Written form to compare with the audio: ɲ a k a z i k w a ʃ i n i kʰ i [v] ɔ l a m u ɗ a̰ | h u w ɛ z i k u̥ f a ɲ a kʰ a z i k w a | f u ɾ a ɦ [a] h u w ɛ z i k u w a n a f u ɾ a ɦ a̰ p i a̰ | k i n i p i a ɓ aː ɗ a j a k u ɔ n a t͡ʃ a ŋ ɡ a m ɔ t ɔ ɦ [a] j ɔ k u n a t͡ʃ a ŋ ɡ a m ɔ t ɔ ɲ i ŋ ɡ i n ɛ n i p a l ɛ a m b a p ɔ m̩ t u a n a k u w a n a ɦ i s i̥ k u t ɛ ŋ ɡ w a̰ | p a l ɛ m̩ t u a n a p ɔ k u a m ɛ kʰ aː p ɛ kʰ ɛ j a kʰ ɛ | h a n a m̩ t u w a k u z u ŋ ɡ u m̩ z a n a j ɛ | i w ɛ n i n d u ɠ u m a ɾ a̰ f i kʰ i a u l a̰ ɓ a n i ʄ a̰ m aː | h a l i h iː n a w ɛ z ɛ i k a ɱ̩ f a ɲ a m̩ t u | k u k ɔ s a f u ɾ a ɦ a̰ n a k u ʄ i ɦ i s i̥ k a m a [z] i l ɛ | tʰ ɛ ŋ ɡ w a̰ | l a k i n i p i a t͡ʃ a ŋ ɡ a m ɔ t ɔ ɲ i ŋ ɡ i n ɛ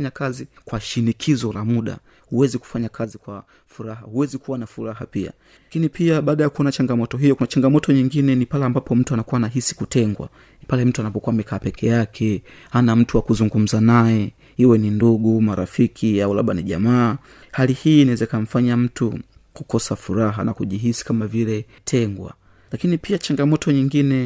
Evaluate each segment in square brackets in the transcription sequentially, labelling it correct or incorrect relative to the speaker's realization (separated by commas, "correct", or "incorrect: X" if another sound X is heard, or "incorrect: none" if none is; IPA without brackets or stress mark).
incorrect: z, correct, incorrect: i, incorrect: v